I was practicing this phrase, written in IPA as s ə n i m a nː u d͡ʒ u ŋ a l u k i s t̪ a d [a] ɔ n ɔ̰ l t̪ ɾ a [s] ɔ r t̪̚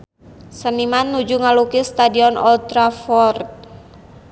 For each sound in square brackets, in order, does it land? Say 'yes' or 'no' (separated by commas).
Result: no, no